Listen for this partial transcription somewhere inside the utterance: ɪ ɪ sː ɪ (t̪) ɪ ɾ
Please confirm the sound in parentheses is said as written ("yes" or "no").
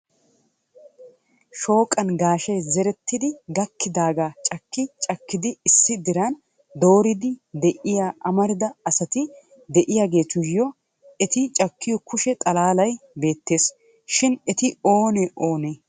no